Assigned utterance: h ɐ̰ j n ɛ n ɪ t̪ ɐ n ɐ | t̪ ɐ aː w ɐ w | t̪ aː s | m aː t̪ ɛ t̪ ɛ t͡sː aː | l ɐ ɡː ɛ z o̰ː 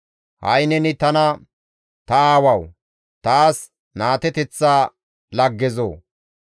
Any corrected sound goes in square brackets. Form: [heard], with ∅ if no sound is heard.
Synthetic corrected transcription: h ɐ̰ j n ɛ n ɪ t̪ ɐ n ɐ | t̪ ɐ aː w ɐ w | t̪ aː s | [n] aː t̪ ɛ t̪ ɛ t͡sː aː | l ɐ ɡː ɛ z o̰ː